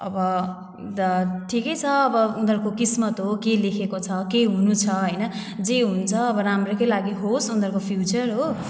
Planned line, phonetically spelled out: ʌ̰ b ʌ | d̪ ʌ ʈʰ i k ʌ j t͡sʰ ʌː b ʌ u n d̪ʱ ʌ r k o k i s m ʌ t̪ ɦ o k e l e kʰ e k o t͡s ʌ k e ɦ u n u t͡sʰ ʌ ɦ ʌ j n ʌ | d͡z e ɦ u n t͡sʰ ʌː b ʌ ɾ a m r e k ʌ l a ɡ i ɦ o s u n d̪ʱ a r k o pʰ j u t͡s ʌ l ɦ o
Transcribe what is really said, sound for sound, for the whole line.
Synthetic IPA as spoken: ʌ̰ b ʌ | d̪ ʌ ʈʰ i k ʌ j t͡sʰ ʌː b ʌ u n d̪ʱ ʌ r k o k i s m ʌ t̪ ɦ o k e l e kʰ e k o t͡sʰ ʌ k e ɦ u n u t͡sʰ ʌ ɦ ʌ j n ʌ | d͡z e ɦ u n t͡sʰ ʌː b ʌ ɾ a m r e k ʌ l a ɡ i ɦ o s u n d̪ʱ ʌ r k o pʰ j u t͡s ʌ r ɦ o

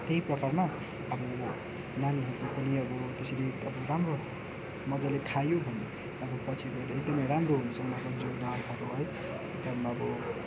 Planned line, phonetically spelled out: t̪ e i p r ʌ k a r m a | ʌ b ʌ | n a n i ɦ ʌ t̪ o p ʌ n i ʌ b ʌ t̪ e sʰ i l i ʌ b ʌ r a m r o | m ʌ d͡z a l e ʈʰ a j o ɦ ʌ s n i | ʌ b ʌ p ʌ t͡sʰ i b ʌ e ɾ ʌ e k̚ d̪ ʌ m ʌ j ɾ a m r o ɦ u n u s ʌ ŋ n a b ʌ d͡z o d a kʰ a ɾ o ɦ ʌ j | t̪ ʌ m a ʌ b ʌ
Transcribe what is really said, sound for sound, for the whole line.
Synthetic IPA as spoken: t̪ e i p r ʌ k a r m a | ʌ b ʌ | n a n i ɦ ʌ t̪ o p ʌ n i ʌ b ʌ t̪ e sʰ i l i ʌ b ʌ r a m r o | m ʌ d͡z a l e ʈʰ a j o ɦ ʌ n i | ʌ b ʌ p ʌ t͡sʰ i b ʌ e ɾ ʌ e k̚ d̪ ʌ m ʌ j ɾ a m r o ɦ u n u s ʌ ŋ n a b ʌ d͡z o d a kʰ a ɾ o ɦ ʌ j | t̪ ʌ m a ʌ b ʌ

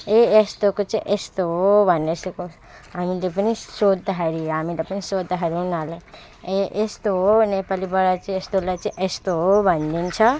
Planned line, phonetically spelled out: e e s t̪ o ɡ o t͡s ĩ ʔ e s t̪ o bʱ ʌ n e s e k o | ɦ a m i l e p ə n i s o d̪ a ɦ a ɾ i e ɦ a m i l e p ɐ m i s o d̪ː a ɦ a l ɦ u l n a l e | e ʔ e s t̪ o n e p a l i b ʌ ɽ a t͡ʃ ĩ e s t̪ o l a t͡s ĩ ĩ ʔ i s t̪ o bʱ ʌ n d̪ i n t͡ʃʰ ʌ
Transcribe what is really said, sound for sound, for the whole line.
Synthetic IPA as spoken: e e s t̪ o k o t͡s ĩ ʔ e s t̪ o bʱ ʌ n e s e k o | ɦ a m i l e p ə n i s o d̪ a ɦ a ɾ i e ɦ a m i l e p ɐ n i s o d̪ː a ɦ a ɾ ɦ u n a l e | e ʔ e s t̪ o n e p a l i b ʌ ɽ a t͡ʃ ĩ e s t̪ o l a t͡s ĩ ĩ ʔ e s t̪ o bʱ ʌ n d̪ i n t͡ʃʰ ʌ

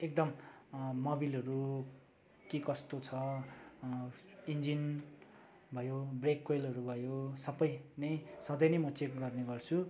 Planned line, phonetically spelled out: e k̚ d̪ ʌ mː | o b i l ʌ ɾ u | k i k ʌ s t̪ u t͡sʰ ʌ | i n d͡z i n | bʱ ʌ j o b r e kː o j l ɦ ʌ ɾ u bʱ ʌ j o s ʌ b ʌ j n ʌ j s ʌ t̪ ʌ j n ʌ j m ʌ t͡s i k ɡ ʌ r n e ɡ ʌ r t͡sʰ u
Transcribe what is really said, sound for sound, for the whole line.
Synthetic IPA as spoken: e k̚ d̪ ʌ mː | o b i l ʌ ɾ u | k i k ʌ s t̪ o t͡sʰ ʌ | i n d͡z i n | bʱ ʌ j o b r e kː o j l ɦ ʌ ɾ u bʱ ʌ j o s ʌ b ʌ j n ʌ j s ʌ d̪ ʌ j n ʌ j m ʌ t͡s e k ɡ ʌ r n e ɡ ʌ r t͡sʰ u

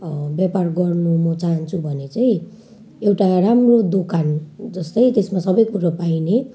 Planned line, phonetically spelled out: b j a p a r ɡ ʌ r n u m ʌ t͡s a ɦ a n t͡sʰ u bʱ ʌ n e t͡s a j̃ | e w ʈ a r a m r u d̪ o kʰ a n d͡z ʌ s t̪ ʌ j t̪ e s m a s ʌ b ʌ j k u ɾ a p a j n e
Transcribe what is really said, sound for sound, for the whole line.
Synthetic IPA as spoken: b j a p a r ɡ ʌ r n u m ʌ t͡s a ɦ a n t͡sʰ u bʱ ʌ n e t͡s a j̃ | e w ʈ a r a m r o d̪ o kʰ a n d͡z ʌ s t̪ ʌ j t̪ e s m a s ʌ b ʌ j k u ɾ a p a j n e

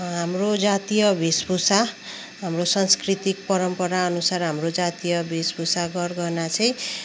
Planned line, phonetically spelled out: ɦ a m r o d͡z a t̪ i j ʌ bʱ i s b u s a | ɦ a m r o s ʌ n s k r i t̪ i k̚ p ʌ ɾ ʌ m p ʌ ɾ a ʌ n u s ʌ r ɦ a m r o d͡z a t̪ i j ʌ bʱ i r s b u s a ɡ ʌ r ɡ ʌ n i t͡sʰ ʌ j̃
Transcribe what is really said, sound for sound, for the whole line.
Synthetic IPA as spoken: ɦ a m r o d͡z a t̪ i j ʌ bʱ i s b u s a | ɦ a m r o s ʌ n s k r i t̪ i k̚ p ʌ ɾ ʌ m p ʌ ɾ a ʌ n u s a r ɦ a m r o d͡z a t̪ i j ʌ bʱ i s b u s a ɡ ʌ r ɡ ʌ n a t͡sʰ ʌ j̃

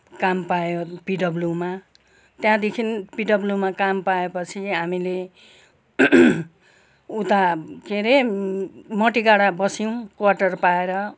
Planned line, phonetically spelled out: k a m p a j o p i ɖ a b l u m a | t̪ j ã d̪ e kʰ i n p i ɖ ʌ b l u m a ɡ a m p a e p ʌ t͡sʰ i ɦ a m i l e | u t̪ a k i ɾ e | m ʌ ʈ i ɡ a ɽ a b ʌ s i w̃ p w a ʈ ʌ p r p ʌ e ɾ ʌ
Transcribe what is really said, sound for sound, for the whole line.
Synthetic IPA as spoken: k a m p a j o p i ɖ ʌ b l u m a | t̪ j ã d̪ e kʰ i n p i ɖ ʌ b l u m a k a m p a e p ʌ t͡sʰ i ɦ a m i l e | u t̪ a k e ɾ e | m ʌ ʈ i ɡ a ɽ a b ʌ s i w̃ k w a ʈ ʌ r p a e ɾ ʌ

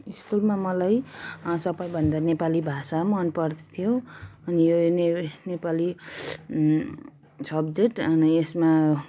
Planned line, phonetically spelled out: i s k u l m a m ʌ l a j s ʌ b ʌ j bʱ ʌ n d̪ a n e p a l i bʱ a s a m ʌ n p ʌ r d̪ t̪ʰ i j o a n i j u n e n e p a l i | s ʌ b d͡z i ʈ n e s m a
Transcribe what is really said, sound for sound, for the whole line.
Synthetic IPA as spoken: i s k u l m a m ʌ l a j s ʌ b ʌ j bʱ ʌ n d̪ a n e p a l i bʱ a s a m ʌ n p ʌ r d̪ t̪ʰ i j o ʌ n i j o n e n e p a l i | s ʌ b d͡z e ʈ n e s m a

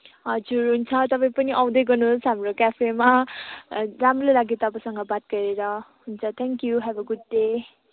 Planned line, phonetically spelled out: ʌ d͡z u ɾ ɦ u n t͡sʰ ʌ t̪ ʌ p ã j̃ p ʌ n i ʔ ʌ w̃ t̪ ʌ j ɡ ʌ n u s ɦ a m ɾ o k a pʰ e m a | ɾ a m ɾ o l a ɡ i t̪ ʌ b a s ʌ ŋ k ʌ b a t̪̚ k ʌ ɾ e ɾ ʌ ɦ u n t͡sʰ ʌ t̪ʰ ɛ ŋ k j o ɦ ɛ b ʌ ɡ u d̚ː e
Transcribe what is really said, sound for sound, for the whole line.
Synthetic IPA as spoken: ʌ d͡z u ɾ ɦ u n t͡sʰ ʌ t̪ ʌ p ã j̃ p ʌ n i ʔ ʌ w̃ d̪ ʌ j ɡ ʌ n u s ɦ a m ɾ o k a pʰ e m a | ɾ a m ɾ o l a ɡ i t̪ ʌ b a s ʌ ŋ ɡ ʌ b a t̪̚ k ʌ ɾ e ɾ ʌ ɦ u n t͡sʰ ʌ t̪ʰ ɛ ŋ k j u ɦ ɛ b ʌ ɡ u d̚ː e

